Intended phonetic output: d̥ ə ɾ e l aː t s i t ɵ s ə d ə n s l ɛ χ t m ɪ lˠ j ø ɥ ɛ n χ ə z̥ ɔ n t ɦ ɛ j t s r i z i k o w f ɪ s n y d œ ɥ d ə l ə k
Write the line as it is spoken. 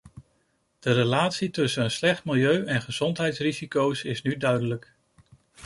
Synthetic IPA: d̥ ə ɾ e l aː t s i t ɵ s ə n ə n s l ɛ χ t m ɪ lˠ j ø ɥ ɛ n χ ə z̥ ɔ n t ɦ ɛ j t s r i z i k o w s ɪ s n y d œ ɥ d ə l ə k